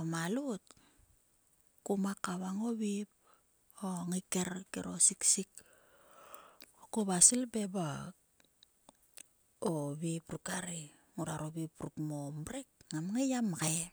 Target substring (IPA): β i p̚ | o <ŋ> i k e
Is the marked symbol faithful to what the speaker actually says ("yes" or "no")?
yes